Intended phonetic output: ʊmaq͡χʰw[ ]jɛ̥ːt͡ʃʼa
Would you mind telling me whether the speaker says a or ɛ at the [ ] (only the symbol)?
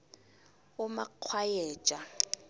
a